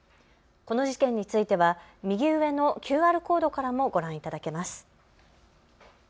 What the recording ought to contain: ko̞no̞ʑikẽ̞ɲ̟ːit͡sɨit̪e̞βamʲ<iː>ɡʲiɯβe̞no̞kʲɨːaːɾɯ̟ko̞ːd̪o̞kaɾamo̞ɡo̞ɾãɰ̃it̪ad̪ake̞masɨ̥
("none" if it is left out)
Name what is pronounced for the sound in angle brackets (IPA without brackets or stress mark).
i